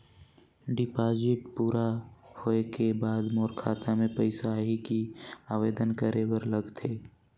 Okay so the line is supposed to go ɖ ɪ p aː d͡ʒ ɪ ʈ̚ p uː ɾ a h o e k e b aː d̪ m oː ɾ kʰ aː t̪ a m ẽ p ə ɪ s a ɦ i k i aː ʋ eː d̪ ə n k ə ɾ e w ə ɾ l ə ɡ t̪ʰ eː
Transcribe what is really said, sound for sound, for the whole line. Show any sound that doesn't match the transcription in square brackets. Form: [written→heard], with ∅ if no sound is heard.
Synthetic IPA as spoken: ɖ ɪ p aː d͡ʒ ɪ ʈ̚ p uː ɾ a h o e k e b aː d̪ m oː ɾ kʰ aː t̪ a m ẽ p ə ɪ s a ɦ i k i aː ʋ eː d̪ ə n k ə ɾ e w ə ɾ l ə ɡ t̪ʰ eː